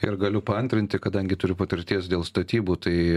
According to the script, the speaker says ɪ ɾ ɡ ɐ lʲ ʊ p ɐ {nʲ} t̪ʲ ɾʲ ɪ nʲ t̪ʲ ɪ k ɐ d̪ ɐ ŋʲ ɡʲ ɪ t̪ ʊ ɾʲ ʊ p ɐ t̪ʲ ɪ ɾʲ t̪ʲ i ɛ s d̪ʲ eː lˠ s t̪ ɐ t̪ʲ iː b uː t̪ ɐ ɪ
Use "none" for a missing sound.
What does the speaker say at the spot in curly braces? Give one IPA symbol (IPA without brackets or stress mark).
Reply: nʲ